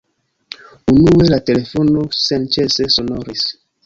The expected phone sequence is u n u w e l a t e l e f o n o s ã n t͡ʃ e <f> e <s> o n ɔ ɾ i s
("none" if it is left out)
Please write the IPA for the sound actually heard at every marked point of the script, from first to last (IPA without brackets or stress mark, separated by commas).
s, s